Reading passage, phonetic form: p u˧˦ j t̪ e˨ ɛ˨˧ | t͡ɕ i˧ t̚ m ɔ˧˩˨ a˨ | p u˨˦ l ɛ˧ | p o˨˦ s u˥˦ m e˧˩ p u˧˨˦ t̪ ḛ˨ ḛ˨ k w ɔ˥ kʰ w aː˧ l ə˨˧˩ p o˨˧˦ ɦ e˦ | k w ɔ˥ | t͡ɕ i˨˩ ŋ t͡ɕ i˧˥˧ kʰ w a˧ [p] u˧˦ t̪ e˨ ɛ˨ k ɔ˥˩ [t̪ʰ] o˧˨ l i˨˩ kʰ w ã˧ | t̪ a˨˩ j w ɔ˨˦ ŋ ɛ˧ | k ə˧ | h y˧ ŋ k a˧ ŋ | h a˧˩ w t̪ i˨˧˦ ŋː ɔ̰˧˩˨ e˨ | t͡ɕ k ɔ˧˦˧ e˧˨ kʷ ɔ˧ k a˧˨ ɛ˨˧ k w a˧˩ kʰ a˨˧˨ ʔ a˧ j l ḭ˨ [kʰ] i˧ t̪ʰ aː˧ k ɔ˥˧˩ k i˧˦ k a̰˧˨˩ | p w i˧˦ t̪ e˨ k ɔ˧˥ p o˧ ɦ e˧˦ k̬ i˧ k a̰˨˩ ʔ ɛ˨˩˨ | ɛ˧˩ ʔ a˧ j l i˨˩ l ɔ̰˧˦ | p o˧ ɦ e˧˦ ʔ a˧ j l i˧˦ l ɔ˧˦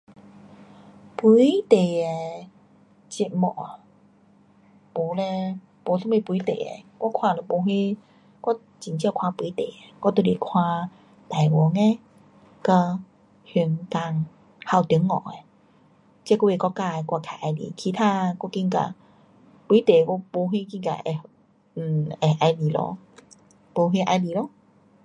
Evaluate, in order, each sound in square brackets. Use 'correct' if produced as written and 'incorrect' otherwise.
correct, incorrect, correct

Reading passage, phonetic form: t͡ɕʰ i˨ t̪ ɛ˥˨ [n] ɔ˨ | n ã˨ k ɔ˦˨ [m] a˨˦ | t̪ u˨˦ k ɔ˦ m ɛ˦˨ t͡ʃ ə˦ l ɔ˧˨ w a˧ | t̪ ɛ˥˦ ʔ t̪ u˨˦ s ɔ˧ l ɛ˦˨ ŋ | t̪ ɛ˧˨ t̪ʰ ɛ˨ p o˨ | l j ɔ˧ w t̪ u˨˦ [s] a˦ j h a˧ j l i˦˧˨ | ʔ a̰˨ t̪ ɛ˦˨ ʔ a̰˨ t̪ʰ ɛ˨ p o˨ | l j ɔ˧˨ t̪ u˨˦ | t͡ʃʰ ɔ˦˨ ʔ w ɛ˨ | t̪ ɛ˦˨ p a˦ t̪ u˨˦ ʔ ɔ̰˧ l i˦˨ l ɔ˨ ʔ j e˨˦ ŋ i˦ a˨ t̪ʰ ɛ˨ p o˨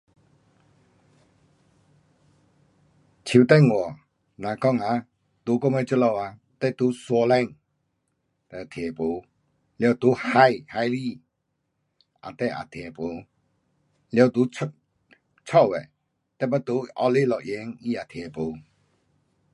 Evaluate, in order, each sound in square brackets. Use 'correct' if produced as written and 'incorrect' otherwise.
incorrect, incorrect, incorrect

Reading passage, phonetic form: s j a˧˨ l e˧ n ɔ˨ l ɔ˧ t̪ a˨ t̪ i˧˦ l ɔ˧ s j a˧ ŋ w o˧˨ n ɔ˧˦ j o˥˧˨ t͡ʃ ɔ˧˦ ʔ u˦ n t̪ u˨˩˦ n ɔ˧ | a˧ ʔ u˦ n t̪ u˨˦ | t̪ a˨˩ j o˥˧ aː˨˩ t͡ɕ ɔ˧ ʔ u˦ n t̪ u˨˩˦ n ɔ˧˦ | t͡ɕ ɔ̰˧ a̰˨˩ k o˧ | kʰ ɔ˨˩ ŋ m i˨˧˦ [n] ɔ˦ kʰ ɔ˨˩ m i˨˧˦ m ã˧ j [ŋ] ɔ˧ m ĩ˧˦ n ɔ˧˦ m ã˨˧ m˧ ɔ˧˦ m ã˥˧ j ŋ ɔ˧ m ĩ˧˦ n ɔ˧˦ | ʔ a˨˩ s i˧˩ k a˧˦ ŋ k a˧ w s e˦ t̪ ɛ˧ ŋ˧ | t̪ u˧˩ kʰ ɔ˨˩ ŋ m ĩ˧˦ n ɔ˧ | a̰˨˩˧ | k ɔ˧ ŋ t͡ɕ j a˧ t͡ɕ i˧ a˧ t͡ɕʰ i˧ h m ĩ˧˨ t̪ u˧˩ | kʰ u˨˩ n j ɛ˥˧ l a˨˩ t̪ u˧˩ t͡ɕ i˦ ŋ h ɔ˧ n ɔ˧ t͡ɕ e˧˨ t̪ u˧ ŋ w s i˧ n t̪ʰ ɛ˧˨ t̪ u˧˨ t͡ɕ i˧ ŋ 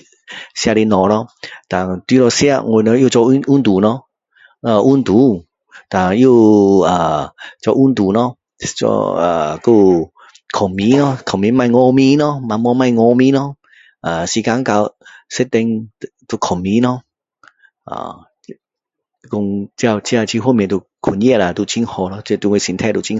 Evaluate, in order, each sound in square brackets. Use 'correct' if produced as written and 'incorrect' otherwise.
correct, correct

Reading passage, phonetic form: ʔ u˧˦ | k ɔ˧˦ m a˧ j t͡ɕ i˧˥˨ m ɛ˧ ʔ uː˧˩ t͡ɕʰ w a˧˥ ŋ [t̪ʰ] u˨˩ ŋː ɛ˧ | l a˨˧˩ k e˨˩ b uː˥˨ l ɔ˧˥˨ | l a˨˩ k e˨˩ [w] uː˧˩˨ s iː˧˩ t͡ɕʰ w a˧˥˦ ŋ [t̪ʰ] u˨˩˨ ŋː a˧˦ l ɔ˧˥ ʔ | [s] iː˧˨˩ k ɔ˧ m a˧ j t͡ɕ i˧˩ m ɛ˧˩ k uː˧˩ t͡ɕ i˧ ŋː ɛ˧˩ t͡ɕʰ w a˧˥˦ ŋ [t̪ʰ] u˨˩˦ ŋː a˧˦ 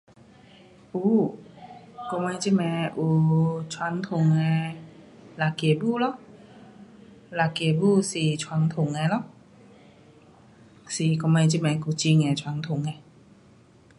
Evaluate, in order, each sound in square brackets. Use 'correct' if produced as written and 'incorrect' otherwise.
correct, incorrect, correct, correct, correct

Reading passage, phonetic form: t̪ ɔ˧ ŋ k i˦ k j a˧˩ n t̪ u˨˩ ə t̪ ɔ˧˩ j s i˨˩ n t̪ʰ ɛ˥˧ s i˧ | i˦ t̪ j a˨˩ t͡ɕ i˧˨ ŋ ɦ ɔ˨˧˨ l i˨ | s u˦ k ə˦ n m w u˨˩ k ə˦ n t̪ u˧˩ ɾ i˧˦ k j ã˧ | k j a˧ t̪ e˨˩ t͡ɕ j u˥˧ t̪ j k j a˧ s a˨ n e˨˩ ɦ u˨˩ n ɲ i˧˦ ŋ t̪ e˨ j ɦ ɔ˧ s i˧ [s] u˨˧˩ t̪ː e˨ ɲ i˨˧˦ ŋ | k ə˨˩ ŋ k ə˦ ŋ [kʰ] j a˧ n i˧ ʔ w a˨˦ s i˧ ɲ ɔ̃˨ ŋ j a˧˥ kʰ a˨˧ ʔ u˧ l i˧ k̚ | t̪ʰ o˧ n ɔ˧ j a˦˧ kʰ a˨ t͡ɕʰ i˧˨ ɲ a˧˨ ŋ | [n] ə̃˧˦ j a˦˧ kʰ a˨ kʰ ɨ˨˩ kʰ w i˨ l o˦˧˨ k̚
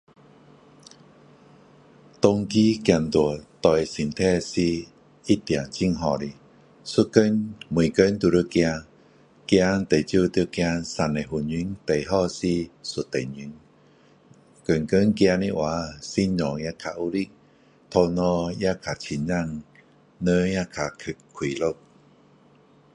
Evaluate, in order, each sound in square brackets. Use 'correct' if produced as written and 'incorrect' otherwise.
correct, incorrect, correct

